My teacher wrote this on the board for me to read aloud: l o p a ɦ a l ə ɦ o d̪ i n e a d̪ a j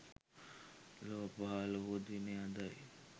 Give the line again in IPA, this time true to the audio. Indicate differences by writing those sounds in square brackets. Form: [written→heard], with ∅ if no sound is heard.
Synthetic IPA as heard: l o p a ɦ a l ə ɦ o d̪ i n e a d̪ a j